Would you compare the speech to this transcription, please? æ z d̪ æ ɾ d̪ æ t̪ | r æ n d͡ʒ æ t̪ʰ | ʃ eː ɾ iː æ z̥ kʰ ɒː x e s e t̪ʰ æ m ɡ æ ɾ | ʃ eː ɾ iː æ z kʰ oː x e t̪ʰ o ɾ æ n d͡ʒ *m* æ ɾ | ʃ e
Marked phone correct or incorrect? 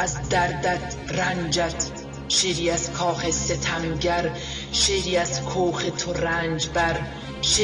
incorrect